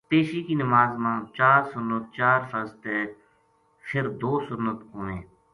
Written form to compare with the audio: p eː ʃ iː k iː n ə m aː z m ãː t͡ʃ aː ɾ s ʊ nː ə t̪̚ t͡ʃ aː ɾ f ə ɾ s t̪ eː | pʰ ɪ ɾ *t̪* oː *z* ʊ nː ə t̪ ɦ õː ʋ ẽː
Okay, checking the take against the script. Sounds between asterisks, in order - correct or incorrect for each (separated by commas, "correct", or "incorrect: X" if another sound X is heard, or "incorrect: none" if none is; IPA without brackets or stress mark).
incorrect: d̪, incorrect: s